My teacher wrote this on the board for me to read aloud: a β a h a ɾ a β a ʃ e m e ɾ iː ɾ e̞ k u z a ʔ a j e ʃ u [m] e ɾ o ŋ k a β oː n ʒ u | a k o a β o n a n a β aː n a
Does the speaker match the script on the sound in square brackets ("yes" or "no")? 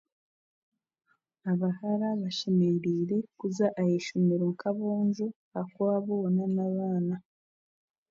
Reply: yes